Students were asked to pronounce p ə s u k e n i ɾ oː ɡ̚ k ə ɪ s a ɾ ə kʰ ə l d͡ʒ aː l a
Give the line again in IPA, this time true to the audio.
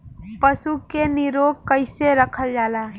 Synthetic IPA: p ə s u k e n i ɾ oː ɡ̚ k ə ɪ s e ɾ ə kʰ ə l d͡ʒ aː l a